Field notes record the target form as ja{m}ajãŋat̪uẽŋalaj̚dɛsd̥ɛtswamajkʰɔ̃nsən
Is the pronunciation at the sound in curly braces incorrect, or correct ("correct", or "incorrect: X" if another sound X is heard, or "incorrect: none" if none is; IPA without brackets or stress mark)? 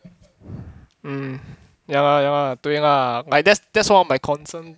incorrect: ŋ